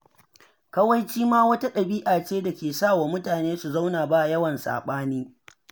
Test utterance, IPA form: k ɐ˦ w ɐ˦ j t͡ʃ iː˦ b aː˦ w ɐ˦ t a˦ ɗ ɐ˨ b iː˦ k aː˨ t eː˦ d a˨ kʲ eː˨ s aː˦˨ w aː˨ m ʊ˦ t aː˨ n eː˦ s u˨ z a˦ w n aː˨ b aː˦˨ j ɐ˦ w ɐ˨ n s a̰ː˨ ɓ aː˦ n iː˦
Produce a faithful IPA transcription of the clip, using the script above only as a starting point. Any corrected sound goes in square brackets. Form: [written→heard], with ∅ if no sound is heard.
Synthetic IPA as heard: k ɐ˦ w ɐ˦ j t͡ʃ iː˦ [b→m] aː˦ w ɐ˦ t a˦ ɗ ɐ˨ b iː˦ [k→ʔ] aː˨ [t→t͡ʃ] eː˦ d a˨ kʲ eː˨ s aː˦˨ w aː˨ m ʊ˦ t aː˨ n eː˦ s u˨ z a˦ w n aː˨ b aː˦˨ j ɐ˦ w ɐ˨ n s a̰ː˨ ɓ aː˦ n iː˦